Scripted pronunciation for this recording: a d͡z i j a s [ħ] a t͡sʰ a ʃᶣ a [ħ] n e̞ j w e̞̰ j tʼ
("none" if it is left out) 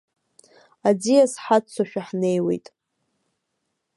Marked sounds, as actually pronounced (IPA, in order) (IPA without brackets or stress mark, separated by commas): ħ, ħ